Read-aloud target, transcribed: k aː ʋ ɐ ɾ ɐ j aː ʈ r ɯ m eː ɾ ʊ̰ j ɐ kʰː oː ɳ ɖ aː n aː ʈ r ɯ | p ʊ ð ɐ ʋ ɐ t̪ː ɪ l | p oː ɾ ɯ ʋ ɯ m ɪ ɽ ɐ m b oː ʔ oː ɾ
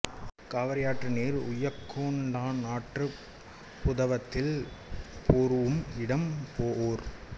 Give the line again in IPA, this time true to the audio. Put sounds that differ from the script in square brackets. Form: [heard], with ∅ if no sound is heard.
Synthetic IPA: k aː ʋ ɐ ɾ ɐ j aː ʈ r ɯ [n] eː ɾ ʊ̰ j ɐ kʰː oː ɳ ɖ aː n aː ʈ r ɯ | p ʊ ð ɐ ʋ ɐ t̪ː ɪ l | p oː ɾ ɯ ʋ ɯ m ɪ ɽ ɐ m [p] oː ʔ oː ɾ